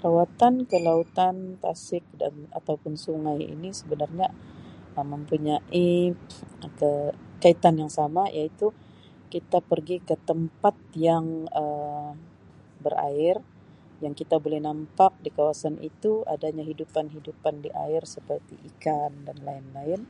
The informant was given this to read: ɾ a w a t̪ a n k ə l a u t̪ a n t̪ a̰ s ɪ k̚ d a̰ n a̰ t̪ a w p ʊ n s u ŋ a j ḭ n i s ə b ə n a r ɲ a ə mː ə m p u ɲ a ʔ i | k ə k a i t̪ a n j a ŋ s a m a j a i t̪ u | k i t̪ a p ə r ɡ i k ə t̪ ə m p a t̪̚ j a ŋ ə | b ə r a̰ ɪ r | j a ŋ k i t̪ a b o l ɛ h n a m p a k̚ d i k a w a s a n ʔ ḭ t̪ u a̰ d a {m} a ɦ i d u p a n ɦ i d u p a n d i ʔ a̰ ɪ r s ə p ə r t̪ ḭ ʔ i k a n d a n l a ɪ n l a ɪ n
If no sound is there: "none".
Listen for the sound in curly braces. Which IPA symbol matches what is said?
ɲ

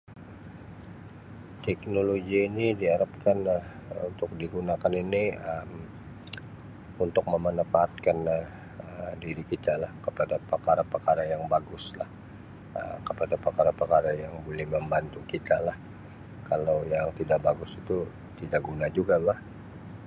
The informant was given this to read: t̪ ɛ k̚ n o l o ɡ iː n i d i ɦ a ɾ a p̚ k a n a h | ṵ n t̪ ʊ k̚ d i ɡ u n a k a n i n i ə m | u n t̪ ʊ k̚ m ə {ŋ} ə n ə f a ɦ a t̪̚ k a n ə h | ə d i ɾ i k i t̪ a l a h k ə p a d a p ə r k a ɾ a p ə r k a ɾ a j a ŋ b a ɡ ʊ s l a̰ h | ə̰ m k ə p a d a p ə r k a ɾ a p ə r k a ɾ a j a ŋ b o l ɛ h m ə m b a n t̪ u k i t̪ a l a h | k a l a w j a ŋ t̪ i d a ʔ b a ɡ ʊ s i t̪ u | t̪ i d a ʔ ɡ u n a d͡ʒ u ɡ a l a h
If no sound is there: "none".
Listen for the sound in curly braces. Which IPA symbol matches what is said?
m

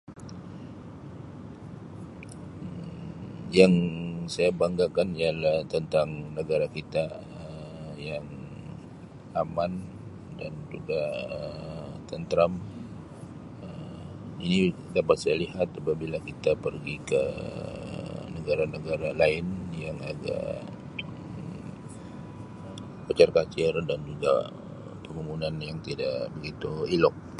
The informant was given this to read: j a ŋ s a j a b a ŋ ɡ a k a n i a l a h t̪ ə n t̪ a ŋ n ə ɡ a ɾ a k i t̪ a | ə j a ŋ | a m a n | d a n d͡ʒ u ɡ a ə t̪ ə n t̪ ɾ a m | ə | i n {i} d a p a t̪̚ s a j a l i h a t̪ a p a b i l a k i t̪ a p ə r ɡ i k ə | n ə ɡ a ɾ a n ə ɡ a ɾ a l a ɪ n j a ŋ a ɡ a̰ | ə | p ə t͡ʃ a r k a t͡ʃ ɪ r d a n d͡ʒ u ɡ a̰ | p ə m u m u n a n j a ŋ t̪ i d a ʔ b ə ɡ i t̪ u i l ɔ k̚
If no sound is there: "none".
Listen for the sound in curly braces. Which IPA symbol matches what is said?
i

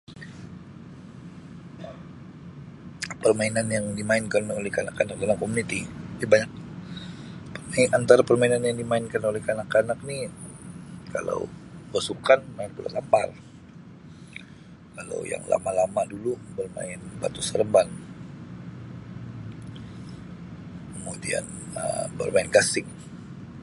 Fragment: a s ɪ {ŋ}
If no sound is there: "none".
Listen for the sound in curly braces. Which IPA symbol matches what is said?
ŋ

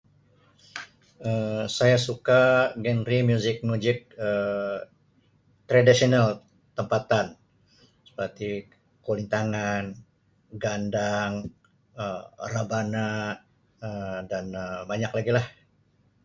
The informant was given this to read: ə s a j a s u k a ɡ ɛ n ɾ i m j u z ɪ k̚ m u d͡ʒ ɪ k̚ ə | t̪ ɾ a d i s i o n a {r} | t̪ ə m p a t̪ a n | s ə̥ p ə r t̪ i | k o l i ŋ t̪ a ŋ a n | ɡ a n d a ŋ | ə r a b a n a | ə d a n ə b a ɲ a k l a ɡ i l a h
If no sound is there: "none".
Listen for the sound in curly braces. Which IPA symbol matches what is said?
l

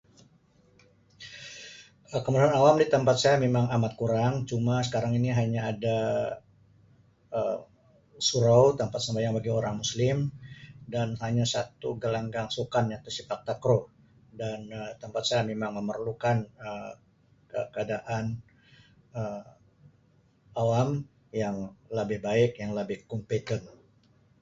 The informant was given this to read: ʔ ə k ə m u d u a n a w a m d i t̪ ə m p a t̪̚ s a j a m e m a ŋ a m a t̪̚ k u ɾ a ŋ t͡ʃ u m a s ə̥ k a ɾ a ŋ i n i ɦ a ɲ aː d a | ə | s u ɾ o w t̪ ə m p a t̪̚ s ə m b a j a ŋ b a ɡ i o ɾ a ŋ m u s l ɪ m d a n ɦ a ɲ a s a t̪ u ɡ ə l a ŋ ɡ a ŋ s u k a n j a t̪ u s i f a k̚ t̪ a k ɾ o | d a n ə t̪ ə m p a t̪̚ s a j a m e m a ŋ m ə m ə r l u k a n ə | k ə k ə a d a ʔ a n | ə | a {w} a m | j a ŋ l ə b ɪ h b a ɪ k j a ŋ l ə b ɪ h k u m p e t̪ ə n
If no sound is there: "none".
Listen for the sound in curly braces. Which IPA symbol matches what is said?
w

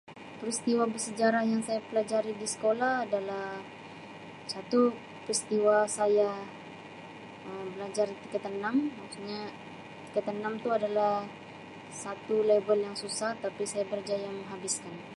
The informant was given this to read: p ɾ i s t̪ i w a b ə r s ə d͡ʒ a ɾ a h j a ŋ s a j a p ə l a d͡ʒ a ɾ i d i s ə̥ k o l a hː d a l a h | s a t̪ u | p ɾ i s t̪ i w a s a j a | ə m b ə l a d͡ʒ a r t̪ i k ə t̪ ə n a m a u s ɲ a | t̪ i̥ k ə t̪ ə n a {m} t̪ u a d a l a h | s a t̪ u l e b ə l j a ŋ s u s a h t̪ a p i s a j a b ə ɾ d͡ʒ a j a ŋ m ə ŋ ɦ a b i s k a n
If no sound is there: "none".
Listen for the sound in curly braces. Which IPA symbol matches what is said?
m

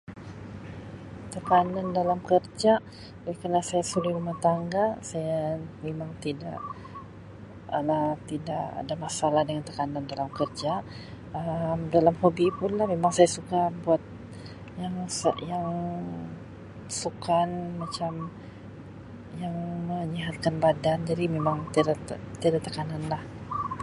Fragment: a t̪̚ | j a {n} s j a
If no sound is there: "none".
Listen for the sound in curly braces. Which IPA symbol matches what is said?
ŋ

